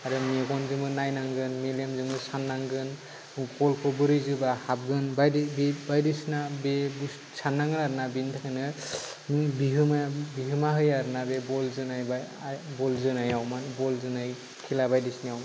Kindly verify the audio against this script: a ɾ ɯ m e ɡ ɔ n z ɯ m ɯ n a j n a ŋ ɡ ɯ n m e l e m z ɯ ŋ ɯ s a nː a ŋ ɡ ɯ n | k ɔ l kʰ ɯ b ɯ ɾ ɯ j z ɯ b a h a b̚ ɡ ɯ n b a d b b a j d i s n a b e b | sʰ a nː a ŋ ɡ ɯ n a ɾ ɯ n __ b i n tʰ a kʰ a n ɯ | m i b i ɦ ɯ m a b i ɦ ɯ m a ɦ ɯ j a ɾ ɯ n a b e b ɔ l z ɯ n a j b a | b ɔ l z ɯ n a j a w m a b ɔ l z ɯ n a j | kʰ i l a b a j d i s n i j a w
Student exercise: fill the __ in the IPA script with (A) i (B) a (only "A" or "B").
B